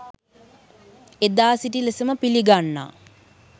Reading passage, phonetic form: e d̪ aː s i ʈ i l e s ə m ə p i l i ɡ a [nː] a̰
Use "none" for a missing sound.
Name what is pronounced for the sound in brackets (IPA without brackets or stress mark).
nː